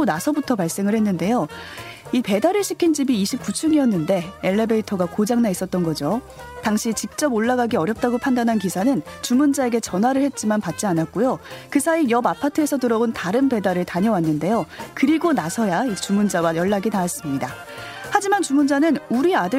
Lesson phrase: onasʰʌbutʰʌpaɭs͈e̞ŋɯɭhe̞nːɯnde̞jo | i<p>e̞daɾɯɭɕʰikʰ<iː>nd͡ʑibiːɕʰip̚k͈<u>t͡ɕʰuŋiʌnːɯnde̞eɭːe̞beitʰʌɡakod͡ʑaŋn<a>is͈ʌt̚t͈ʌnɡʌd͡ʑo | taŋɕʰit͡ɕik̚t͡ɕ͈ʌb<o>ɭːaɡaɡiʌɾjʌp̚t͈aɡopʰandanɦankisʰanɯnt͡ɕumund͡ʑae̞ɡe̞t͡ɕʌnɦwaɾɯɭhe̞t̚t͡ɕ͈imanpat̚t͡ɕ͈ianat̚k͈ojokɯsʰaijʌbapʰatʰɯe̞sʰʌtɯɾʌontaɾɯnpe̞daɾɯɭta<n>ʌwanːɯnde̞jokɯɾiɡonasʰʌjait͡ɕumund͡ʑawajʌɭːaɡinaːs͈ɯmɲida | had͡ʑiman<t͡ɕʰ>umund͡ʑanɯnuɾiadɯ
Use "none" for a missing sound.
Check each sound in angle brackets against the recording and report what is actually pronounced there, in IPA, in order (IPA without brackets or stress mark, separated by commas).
p, i, u, a, o, ɲ, t͡ɕ